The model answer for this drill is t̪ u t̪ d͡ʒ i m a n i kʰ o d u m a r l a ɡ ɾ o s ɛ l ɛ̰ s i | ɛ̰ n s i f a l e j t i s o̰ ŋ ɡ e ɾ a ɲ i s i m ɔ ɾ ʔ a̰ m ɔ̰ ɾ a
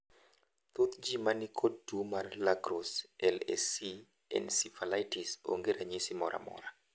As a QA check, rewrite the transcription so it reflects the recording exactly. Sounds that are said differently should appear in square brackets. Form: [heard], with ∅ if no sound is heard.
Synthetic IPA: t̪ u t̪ d͡ʒ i m a n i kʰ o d u m a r l a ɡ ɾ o s ɛ l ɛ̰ s i | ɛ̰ n s i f a l [a] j t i s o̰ ŋ ɡ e ɾ a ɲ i s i m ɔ ɾ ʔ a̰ m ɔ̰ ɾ a